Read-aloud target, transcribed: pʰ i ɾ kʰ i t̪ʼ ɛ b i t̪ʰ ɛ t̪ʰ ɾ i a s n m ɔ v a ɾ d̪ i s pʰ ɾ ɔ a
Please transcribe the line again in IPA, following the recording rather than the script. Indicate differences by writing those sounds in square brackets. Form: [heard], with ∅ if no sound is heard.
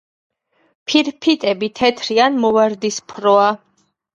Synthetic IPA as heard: pʰ i ɾ [pʰ] i t̪ʼ ɛ b i t̪ʰ ɛ t̪ʰ ɾ i a [∅] n m ɔ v a ɾ d̪ i s pʰ ɾ ɔ a